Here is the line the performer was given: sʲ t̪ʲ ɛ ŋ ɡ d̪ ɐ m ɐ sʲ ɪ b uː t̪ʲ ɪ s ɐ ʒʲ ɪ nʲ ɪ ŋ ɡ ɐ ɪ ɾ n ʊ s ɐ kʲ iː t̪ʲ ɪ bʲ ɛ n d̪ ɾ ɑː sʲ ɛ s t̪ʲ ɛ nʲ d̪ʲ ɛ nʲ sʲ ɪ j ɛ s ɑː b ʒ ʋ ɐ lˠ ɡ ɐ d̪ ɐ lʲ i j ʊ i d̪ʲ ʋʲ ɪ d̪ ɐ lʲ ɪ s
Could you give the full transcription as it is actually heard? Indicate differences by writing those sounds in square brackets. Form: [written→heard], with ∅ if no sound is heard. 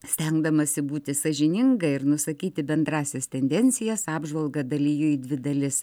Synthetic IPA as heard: sʲ t̪ʲ ɛ ŋ ɡ d̪ ɐ m ɐ sʲ ɪ b uː t̪ʲ ɪ s ɐ ʒʲ ɪ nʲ ɪ ŋ ɡ ɐ ɪ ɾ n ʊ s ɐ kʲ iː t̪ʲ ɪ bʲ ɛ n d̪ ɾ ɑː sʲ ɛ s t̪ʲ ɛ nʲ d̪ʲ ɛ nʲ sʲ ɪ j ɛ s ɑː b ʒ ʋ ɐ lˠ ɡ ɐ d̪ ɐ lʲ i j ʊ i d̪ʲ ʋʲ ɪ d̪ ɐ lʲ ɪ s